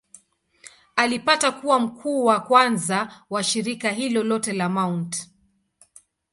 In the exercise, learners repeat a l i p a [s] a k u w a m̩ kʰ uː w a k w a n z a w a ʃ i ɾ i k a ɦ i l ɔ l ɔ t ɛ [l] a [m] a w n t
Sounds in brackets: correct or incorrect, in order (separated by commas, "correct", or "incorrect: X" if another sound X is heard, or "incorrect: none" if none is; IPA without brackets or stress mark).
incorrect: t, correct, correct